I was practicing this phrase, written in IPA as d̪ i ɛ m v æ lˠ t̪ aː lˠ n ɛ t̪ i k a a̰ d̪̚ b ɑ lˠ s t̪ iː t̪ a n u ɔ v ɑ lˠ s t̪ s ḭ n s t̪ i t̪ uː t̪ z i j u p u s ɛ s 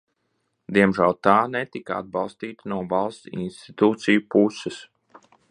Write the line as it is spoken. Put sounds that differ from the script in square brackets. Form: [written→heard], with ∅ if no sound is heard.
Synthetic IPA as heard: d̪ i ɛ m [v→ʒ] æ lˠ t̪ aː [lˠ→∅] n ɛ t̪ i k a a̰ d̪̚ b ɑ lˠ s t̪ iː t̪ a n u ɔ v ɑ lˠ s t̪ s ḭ n s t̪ i t̪ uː t̪ [z→s] i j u p u s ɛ s